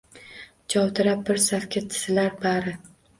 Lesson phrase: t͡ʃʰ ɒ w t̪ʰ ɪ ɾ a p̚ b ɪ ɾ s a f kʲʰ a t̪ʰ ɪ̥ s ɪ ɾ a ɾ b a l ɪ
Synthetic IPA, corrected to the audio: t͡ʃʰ ɒ w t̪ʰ ɪ ɾ a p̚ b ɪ ɾ s a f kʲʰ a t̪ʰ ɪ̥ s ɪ l a ɾ b a ɾ ɪ